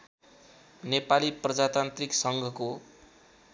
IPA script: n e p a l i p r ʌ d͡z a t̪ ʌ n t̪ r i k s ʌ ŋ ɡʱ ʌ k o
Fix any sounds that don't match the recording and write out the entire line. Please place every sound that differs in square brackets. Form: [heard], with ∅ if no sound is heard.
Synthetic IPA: n e p a l i p r ʌ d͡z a t̪ [a] n t̪ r i k s ʌ ŋ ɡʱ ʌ k o